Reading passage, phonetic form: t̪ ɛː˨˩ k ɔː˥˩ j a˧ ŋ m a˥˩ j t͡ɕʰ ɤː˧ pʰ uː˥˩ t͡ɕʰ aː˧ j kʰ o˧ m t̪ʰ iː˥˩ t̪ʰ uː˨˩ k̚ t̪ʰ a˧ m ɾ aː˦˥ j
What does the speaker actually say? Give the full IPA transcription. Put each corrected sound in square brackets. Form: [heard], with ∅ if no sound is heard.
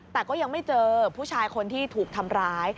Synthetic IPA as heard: t̪ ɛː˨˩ k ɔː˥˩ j a˧ ŋ m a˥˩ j [t͡ɕ] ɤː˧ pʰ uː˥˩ t͡ɕʰ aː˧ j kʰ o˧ [n] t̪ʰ iː˥˩ t̪ʰ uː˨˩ k̚ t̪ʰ a˧ m ɾ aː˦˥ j